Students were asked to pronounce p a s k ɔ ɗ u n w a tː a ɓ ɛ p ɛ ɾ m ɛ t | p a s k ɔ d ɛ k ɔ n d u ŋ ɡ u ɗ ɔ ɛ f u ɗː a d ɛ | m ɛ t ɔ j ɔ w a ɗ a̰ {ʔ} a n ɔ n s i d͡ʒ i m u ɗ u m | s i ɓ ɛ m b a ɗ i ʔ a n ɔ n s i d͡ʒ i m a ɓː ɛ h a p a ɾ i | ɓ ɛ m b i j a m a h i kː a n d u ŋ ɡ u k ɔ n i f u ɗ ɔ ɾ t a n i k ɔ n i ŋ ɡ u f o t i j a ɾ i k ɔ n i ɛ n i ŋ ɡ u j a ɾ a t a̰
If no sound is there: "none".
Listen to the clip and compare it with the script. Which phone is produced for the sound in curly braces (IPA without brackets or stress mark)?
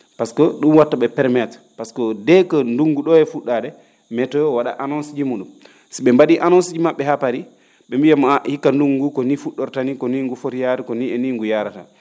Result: ʔ